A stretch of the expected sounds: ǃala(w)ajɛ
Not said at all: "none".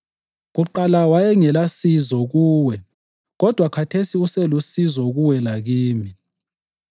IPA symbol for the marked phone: w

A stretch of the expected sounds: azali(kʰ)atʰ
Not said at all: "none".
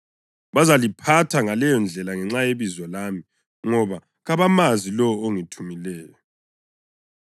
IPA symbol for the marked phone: pʰ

